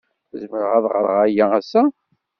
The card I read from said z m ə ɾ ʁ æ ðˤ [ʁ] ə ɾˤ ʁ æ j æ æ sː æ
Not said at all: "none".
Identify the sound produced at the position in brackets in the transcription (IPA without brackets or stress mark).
ʁ